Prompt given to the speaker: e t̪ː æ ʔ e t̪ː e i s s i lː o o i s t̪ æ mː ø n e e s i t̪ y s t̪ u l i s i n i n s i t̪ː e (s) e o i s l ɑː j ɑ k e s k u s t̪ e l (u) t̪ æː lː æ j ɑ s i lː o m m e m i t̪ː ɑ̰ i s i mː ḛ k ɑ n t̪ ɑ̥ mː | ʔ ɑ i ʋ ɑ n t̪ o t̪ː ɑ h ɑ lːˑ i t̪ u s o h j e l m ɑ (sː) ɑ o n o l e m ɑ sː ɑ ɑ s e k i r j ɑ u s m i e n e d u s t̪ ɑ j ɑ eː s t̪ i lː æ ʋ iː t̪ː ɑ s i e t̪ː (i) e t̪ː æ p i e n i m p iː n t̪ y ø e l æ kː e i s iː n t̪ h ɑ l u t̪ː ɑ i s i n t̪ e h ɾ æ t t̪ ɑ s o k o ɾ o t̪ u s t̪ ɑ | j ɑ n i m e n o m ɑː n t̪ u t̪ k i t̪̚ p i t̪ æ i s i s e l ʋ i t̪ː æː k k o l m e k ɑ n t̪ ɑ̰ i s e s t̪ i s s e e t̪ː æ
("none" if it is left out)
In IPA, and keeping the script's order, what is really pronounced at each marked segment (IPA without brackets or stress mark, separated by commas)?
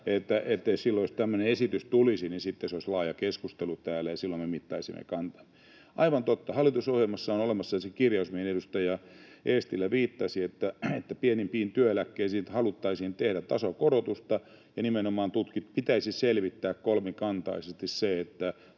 s, u, sː, æ